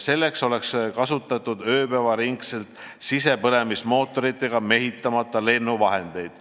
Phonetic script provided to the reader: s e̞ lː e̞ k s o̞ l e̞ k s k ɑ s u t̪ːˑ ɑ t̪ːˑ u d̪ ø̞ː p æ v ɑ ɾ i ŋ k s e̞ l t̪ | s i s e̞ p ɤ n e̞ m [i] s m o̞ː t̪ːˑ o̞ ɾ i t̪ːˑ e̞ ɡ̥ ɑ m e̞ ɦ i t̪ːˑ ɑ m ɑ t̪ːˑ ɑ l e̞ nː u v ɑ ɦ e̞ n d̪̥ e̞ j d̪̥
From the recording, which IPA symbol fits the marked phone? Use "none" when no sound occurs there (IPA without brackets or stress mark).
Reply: i